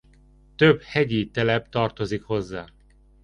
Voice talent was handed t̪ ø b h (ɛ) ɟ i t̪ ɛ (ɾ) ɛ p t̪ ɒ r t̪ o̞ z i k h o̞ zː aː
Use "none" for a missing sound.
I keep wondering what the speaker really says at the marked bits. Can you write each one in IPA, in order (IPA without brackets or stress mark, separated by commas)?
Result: ɛ, l